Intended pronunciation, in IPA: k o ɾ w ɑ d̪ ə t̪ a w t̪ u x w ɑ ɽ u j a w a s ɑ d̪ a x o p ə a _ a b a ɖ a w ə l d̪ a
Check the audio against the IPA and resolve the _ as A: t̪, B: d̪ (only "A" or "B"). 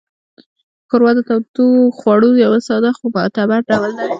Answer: A